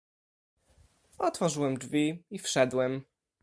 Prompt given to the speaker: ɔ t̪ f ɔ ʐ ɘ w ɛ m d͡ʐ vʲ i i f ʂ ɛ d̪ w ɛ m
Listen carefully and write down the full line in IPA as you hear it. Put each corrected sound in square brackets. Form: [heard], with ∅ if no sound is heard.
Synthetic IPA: ɔ t̪ f ɔ ʐ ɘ w ɛ m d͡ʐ vʲ i i f ʂ ɛ d̪ w ɛ m

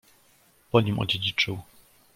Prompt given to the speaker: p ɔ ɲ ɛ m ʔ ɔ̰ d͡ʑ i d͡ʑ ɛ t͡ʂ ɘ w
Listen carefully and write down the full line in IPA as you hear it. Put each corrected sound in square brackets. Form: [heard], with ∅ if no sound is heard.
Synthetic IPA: p ɔ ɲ [i] m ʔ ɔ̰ d͡ʑ [e] d͡ʑ [i] t͡ʂ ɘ w

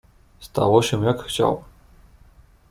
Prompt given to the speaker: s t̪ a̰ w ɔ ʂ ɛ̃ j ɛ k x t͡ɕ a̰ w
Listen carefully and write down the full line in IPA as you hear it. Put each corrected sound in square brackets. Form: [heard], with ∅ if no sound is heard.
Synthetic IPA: s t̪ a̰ w ɔ [ɕ] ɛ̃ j [a] k x t͡ɕ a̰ w

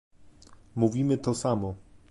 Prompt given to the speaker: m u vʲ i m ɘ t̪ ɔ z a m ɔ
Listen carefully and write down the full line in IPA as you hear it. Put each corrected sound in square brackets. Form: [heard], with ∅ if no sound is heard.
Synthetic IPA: m u vʲ i m ɘ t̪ ɔ [s] a m ɔ

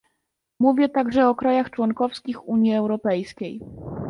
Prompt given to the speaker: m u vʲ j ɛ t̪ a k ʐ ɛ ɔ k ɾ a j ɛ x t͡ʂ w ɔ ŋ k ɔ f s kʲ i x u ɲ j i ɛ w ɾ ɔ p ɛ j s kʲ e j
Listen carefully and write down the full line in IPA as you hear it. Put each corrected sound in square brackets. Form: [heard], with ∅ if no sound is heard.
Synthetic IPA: m u vʲ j ɛ t̪ a [ɡ] ʐ ɛ ɔ k ɾ a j [a] x t͡ʂ w ɔ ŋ k ɔ f s kʲ i x u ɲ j i ɛ w ɾ ɔ p ɛ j s kʲ e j

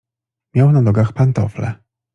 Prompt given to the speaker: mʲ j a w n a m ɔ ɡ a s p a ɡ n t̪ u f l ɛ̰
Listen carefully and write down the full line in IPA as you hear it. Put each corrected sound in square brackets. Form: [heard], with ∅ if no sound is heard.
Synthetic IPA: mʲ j a w n a [n] ɔ ɡ a [x] p a [∅] n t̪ [ɔ] f l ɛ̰

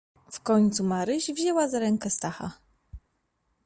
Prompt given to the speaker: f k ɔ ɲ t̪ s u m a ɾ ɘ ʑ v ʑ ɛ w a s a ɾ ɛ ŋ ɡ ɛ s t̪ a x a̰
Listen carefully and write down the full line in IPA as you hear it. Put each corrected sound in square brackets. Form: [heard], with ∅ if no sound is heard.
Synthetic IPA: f k ɔ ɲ t̪ s u m a ɾ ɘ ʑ v ʑ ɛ w a [z] a ɾ ɛ ŋ [k] ɛ s t̪ a x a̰

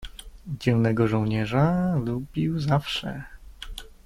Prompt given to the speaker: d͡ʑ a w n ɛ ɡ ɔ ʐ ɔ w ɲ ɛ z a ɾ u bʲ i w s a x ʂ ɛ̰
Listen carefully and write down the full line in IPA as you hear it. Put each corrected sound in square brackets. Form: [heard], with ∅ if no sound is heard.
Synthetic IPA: d͡ʑ [ɛ] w n ɛ ɡ ɔ ʐ ɔ w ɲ ɛ [ʐ] a [l] u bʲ i w [z] a [f] ʂ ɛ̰

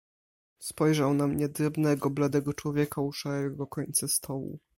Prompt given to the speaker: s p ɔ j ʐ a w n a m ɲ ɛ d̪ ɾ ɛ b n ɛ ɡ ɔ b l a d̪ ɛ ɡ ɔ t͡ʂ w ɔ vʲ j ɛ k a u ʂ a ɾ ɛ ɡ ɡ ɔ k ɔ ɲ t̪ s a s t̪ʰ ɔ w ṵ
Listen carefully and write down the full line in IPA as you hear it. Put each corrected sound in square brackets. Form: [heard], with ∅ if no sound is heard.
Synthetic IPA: s p ɔ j ʐ a w n a m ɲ ɛ d̪ ɾ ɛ b n ɛ ɡ ɔ b l a d̪ ɛ ɡ ɔ t͡ʂ w ɔ vʲ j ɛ k a u ʂ a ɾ ɛ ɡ ɡ ɔ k ɔ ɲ t̪ s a s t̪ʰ ɔ w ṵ

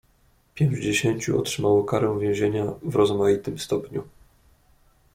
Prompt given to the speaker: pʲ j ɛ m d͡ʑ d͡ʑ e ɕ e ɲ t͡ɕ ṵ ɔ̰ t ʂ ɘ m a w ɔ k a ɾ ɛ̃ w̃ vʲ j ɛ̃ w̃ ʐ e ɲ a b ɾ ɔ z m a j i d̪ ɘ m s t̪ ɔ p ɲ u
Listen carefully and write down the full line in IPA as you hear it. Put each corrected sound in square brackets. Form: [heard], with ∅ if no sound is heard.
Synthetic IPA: pʲ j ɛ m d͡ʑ d͡ʑ e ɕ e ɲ t͡ɕ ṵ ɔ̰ t ʂ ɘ m a w ɔ k a ɾ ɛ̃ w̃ vʲ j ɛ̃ w̃ [ʑ] e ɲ a [v] ɾ ɔ z m a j i [t̪] ɘ m s t̪ ɔ p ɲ u

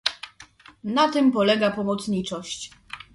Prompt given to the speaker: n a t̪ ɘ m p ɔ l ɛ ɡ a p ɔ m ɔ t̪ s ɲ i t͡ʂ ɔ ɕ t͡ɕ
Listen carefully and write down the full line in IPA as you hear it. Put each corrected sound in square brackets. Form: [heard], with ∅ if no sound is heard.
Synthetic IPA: n a t̪ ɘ m p ɔ l ɛ ɡ a p ɔ m ɔ t̪ s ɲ i t͡ʂ ɔ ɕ t͡ɕ

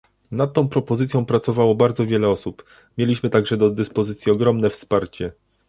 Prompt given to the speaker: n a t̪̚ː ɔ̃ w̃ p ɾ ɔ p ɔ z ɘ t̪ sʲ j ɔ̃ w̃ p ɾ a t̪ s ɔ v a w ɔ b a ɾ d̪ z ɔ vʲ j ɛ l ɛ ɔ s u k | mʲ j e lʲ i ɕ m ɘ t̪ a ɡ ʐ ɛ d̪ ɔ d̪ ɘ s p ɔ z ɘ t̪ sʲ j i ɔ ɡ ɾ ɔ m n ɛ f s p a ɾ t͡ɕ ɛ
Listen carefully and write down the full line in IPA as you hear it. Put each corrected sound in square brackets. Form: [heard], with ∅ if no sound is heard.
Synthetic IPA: n a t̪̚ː ɔ̃ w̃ p ɾ ɔ p ɔ z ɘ t̪ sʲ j ɔ̃ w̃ p ɾ a t̪ s ɔ v a w ɔ b a ɾ d̪ z ɔ vʲ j ɛ l ɛ ɔ s u [p] | mʲ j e lʲ i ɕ m ɘ t̪ a ɡ ʐ ɛ d̪ ɔ d̪ ɘ s p ɔ z ɘ t̪ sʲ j i ɔ ɡ ɾ ɔ m n ɛ f s p a ɾ t͡ɕ ɛ

